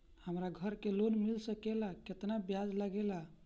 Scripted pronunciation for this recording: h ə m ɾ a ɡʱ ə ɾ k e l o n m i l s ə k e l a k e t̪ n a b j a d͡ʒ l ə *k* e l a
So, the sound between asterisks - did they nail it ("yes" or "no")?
no